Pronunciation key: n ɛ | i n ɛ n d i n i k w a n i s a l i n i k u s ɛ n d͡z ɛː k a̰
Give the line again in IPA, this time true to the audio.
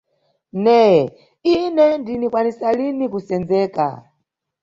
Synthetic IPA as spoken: n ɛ | i n ɛ n d i n i k w a n i s a l i n i k u s ɛ n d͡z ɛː k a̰